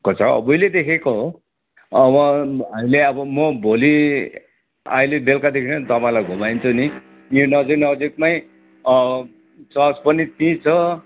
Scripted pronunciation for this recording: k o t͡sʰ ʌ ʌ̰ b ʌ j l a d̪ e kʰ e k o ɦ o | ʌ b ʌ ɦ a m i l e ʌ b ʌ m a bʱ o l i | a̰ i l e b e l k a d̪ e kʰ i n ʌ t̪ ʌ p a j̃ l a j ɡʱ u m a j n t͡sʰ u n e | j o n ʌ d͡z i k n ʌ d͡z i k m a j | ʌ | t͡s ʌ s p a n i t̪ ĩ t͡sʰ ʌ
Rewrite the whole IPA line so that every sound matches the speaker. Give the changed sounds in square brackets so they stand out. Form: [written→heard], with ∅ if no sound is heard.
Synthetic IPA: k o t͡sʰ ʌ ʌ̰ b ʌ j l [a→e] d̪ e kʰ e k o ɦ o | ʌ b ʌ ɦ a m i l e ʌ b ʌ m [a→ʌ] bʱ o l i | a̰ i l e b e l k a d̪ e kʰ i n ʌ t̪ ʌ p a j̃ l a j ɡʱ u m a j n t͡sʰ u n [e→i] | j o n ʌ d͡z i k n ʌ d͡z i k m a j | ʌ | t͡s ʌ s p [a→ʌ] n i t̪ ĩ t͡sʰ ʌ